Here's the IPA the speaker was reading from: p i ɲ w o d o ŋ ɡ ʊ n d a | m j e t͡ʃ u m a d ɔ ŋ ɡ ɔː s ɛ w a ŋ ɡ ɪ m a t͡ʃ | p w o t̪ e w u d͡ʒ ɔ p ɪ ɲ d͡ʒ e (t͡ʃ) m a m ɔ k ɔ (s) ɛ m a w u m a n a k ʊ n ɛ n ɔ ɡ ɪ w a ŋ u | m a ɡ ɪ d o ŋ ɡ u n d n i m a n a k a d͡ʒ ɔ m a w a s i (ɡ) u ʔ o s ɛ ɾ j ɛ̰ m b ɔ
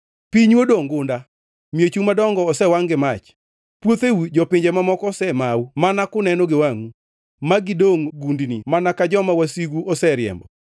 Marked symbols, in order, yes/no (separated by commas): no, yes, yes